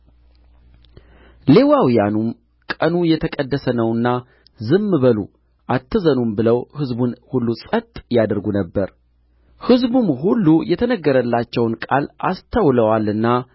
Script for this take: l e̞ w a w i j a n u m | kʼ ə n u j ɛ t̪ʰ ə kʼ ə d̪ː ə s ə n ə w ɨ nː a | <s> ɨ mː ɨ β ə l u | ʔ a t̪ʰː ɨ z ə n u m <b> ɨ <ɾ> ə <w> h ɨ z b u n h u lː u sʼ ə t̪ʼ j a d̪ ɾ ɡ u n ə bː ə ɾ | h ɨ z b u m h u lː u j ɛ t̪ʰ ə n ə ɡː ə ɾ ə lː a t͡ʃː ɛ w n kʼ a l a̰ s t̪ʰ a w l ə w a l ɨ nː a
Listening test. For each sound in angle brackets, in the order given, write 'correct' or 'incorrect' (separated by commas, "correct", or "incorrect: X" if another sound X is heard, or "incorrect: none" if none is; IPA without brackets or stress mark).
incorrect: z, correct, incorrect: l, correct